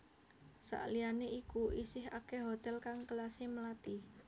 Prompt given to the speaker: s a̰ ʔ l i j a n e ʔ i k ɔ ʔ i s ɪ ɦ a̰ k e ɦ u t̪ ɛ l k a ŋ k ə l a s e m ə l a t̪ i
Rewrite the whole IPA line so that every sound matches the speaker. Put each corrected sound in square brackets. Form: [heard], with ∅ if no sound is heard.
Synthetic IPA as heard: s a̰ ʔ l i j a n e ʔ i k [u] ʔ i s ɪ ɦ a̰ k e ɦ [o] t̪ ɛ l k a ŋ k ə l a s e m ə l a t̪ i

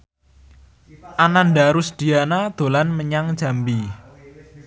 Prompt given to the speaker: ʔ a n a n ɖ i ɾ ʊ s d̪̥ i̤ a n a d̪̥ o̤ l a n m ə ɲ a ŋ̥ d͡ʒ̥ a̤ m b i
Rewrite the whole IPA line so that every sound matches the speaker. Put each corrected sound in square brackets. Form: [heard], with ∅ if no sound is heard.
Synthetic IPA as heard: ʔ a n a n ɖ [a] ɾ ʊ s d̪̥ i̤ a n a d̪̥ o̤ l a n m ə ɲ a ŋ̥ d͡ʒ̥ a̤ m b i

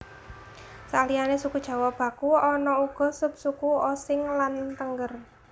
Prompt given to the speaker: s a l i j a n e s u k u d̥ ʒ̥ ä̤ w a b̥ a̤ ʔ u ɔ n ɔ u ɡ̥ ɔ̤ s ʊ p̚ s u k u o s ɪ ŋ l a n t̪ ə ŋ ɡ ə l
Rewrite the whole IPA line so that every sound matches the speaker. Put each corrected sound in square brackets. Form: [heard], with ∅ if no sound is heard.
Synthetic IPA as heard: s a l i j a n e s u k u d̥ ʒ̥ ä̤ w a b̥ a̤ [k] u ɔ n ɔ u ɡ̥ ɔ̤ s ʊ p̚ s u k u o s ɪ ŋ l a n t̪ ə ŋ ɡ ə [r]

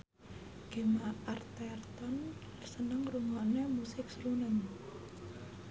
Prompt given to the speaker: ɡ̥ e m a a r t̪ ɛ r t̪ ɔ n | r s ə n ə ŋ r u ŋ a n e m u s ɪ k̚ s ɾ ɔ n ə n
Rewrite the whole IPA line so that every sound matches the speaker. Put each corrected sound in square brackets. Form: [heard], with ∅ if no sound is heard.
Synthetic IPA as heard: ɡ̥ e m a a r t̪ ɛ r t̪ ɔ n | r s ə n ə ŋ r u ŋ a n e m u s ɪ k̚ s ɾ [u] n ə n

